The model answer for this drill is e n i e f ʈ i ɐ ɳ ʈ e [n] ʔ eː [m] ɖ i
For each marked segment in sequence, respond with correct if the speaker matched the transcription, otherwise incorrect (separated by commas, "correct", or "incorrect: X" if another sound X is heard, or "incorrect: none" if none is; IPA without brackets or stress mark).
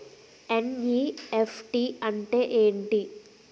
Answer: incorrect: none, incorrect: ɳ